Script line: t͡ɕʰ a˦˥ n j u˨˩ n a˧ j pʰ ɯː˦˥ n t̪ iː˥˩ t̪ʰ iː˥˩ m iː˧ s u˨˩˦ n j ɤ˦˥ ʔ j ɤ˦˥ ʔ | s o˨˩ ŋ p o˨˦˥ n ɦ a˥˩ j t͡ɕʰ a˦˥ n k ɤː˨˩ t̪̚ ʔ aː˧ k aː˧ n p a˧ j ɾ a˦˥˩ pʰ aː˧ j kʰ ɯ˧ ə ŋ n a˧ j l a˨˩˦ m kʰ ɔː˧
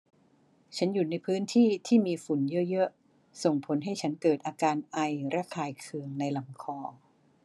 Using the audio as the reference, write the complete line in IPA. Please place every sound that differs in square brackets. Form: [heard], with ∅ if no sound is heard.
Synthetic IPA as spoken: t͡ɕʰ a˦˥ n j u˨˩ n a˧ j pʰ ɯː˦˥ n [t̪ʰ] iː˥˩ t̪ʰ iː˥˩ m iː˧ [f] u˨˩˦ n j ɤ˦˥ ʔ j ɤ˦˥ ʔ | s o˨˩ ŋ [pʰ] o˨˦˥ n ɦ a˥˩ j t͡ɕʰ a˦˥ n k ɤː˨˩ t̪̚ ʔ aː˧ k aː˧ n [ʔ] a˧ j ɾ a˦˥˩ [kʰ] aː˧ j kʰ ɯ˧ ə ŋ n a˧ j l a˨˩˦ m kʰ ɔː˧

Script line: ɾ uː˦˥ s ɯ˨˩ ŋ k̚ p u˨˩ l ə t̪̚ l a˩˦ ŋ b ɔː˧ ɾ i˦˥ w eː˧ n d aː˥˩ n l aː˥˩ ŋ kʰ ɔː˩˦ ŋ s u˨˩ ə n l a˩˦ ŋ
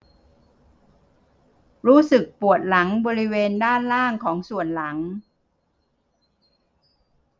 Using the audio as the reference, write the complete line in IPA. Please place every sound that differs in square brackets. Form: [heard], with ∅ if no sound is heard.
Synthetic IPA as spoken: ɾ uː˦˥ s ɯ˨˩ [∅] k̚ p u˨˩ [∅] ə t̪̚ l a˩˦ ŋ b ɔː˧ ɾ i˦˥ w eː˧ n d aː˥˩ n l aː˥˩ ŋ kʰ ɔː˩˦ ŋ s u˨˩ ə n l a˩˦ ŋ

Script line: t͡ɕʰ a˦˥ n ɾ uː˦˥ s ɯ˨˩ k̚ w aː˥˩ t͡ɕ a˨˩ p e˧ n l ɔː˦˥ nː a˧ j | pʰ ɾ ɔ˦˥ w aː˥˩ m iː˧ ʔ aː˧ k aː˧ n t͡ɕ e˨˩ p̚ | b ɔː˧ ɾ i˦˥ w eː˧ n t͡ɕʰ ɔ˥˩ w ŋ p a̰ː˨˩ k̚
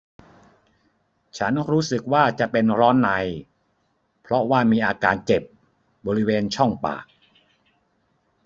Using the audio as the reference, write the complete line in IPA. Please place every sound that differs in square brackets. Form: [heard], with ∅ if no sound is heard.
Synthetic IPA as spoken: t͡ɕʰ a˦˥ n ɾ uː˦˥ s ɯ˨˩ k̚ w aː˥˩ t͡ɕ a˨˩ p e˧ n [ɾ] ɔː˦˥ nː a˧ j | pʰ ɾ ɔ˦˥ w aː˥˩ m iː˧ ʔ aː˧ k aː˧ n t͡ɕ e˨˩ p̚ | b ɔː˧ ɾ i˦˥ w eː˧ n t͡ɕʰ ɔ˥˩ [∅] ŋ p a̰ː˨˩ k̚

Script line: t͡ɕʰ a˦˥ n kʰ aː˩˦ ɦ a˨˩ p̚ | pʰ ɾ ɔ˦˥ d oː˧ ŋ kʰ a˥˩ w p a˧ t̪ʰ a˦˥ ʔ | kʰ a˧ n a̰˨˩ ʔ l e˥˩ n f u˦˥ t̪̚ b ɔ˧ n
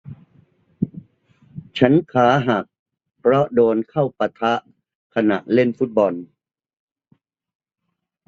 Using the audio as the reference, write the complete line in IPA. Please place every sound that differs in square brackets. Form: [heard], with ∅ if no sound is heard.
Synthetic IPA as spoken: t͡ɕʰ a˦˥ n kʰ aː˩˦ ɦ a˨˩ [k̚] | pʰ ɾ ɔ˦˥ d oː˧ [n] kʰ a˥˩ w p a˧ t̪ʰ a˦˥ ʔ | kʰ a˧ n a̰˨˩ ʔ l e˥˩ n f u˦˥ t̪̚ b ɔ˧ n

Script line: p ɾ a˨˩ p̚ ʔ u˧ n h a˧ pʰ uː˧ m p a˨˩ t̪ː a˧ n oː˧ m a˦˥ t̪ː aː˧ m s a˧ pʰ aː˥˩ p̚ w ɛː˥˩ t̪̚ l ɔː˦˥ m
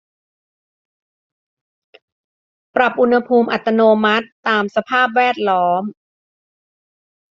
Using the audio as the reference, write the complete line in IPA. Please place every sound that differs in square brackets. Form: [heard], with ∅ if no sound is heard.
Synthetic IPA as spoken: p ɾ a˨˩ p̚ ʔ u˧ n h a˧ pʰ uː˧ m [ʔ] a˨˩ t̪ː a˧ n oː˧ m a˦˥ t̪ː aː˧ m s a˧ pʰ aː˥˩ p̚ w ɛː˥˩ t̪̚ l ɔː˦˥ m

